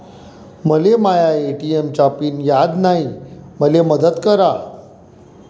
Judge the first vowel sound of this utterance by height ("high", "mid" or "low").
mid